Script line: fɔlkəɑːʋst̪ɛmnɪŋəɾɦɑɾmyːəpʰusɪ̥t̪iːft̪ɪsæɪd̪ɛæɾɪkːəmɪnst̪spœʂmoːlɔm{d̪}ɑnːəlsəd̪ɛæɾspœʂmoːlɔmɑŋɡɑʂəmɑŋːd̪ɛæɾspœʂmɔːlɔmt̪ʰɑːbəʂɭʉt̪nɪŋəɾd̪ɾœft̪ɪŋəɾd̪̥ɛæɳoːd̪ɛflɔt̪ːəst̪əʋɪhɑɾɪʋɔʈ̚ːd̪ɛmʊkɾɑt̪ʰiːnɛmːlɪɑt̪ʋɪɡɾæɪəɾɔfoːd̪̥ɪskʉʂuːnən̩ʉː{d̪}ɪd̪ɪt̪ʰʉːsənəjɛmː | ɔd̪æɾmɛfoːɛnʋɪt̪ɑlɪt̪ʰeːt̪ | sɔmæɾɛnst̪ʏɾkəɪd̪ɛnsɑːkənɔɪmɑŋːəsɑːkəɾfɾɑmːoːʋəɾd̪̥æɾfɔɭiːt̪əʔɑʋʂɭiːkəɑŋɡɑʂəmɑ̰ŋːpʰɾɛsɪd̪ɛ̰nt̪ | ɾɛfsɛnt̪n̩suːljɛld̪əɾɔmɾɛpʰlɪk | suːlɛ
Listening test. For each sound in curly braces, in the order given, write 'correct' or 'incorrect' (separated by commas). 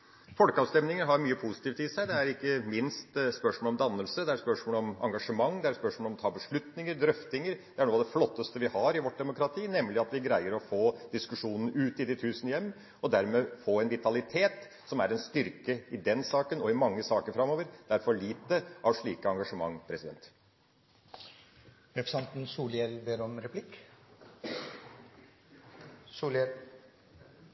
correct, incorrect